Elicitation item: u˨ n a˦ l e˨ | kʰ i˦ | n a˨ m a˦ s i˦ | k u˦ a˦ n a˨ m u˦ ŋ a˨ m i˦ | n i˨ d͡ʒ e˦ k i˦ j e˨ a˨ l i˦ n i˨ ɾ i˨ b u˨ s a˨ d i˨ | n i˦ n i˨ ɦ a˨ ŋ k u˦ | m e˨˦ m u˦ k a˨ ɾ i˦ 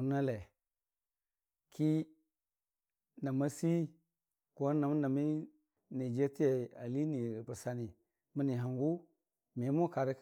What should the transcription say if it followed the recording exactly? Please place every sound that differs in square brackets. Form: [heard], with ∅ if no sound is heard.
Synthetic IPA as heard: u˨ n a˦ l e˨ | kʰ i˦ | n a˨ m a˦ s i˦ | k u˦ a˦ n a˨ m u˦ [n] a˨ m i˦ | n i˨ d͡ʒ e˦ [t] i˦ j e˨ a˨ l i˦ n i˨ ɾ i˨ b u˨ s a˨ [n] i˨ | [m] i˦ n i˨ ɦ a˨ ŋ [ɡ] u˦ | m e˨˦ m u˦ k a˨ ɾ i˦